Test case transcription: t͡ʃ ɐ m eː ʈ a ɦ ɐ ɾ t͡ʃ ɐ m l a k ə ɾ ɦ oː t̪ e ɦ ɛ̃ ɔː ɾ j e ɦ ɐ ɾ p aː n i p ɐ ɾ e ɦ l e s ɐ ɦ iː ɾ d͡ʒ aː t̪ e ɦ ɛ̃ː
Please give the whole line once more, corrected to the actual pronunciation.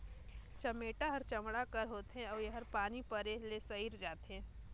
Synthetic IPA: t͡ʃ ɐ m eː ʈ a ɦ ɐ ɾ t͡ʃ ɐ m ɽ a k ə ɾ ɦ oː t̪ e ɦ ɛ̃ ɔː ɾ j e ɦ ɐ ɾ p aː n i p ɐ ɾ e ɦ l e s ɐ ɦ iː ɾ d͡ʒ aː t̪ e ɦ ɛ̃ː